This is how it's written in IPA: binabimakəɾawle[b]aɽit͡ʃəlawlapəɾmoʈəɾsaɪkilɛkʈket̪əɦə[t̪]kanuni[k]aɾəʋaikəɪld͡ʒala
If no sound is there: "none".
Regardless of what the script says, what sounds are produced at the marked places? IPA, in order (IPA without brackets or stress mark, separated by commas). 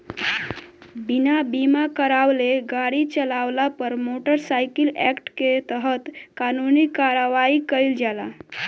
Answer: ɡ, t̪, k